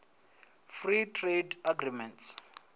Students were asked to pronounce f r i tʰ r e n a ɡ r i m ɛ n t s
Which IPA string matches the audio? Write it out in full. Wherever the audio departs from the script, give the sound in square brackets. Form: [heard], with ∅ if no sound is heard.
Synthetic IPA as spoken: f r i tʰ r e [d] a ɡ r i m ɛ n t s